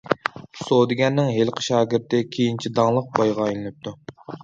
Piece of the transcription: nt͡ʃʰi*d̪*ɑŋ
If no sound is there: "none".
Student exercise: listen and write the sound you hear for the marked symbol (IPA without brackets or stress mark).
d̪